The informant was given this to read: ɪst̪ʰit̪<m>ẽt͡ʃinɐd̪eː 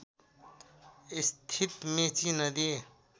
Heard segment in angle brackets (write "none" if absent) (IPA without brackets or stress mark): m